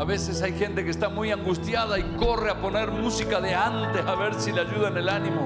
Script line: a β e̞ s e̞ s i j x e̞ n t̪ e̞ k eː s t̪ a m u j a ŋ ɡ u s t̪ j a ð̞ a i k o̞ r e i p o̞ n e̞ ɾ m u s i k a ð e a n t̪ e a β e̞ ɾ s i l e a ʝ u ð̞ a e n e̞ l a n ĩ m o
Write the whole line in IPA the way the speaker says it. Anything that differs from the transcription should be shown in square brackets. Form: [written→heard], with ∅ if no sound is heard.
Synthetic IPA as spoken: a β e̞ s e̞ s [i→a] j x e̞ n t̪ e̞ k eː s t̪ a m u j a ŋ ɡ u s t̪ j a ð̞ a i k o̞ r e [i→a] p o̞ n e̞ ɾ m u s i k a ð e a n t̪ e a β e̞ ɾ s i l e a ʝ u ð̞ a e n e̞ l a n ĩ m o